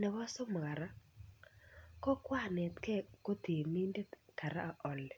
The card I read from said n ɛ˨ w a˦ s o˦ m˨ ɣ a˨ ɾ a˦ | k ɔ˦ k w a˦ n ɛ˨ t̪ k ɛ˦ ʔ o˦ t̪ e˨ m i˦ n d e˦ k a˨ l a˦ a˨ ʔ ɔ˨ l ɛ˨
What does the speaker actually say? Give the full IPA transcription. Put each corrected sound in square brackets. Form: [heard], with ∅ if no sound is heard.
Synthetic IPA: n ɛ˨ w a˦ s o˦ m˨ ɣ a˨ ɾ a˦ | k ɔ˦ k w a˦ n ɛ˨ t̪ k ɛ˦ [k] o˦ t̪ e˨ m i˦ n d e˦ k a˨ [ɾ] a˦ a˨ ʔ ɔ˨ l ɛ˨

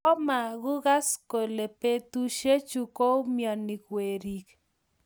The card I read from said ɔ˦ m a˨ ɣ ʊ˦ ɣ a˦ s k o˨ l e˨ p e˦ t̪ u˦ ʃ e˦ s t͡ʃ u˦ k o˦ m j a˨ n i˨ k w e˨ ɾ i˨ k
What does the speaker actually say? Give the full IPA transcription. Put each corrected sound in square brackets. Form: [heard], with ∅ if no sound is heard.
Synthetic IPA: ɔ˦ m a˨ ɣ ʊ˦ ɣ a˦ s k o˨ l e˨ p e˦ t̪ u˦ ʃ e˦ [∅] t͡ʃ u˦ k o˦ m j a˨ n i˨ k w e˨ ɾ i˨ k

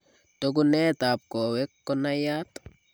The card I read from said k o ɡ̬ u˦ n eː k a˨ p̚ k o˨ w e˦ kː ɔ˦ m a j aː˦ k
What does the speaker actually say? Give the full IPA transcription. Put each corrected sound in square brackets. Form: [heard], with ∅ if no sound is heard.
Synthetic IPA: [t] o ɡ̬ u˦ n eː [t] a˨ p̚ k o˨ w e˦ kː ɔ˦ [n] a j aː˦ [t]

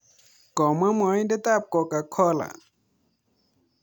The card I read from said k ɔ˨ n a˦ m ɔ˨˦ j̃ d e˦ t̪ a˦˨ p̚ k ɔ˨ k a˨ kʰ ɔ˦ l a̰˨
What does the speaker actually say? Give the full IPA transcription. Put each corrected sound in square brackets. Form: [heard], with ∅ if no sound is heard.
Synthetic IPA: k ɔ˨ [m] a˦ m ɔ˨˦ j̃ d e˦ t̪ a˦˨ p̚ k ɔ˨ k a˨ kʰ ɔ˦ l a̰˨

